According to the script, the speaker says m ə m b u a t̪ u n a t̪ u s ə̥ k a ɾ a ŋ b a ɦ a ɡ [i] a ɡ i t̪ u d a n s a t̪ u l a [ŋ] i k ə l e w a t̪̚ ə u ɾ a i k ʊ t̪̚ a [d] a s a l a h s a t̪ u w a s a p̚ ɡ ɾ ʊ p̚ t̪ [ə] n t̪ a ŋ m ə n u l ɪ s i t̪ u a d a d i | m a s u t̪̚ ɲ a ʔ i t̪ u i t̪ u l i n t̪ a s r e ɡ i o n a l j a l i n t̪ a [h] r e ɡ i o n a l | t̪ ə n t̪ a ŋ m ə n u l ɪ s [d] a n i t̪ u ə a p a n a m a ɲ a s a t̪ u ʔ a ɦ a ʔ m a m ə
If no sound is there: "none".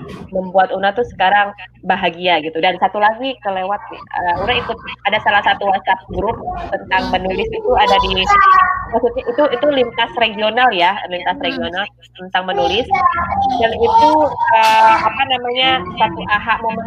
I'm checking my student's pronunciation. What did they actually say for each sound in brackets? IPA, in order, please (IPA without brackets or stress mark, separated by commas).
i, ɡ, d, ə, s, d